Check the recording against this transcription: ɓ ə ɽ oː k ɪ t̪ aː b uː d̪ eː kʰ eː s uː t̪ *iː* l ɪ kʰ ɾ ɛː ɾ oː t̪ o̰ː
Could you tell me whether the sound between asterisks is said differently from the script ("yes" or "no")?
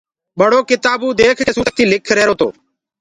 no